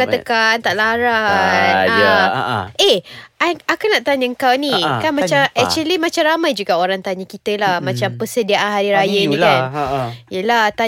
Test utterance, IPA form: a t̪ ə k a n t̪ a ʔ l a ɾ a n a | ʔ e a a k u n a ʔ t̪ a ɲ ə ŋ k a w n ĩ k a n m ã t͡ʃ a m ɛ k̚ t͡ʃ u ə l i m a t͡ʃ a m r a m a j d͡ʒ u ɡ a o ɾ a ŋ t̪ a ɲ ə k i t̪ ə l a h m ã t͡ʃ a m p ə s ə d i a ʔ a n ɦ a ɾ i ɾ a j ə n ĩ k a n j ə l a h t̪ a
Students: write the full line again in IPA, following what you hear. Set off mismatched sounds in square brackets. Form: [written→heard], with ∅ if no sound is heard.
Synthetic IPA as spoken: a t̪ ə k a n t̪ a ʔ l a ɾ a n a | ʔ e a a k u n a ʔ t̪ a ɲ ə ŋ k a w n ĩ k a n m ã t͡ʃ a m ɛ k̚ t͡ʃ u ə l i m a t͡ʃ a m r a m a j d͡ʒ u ɡ a o ɾ a ŋ t̪ a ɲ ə k i t̪ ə l a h m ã t͡ʃ a m p ə s ə d i a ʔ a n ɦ a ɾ i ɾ a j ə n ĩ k a n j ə l a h t̪ a